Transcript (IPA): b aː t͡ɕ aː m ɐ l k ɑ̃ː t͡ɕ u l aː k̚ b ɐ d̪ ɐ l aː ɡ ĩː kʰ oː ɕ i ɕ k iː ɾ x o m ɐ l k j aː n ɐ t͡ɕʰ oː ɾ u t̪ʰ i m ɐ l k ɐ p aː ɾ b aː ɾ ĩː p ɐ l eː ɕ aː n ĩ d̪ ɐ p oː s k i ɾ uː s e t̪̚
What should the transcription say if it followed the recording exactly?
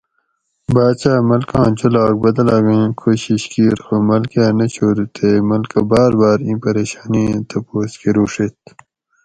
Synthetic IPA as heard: b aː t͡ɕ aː m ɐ l k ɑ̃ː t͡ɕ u l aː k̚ b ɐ d̪ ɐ l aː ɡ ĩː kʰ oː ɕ i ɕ k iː ɾ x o m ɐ l k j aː n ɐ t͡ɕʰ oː ɾ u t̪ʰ e m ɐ l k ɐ b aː ɾ b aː ɾ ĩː p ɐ ɾ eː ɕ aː n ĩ t̪ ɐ p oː s k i ɾ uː ʂ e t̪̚